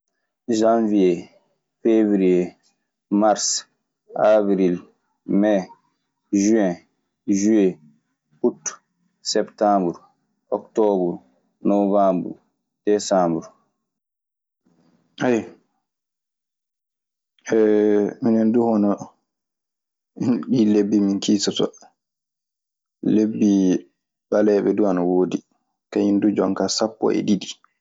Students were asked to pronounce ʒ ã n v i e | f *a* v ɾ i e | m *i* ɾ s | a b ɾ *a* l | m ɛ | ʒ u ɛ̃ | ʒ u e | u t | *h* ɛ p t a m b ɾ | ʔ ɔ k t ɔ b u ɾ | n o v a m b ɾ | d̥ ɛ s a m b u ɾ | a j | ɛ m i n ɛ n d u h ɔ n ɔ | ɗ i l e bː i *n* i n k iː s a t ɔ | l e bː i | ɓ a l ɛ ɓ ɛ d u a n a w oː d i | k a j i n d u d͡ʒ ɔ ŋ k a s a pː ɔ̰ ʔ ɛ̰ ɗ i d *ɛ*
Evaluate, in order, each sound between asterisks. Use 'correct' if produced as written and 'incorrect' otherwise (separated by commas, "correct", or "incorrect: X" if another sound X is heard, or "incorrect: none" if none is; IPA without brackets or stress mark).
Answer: incorrect: e, incorrect: a, incorrect: i, incorrect: s, incorrect: m, incorrect: i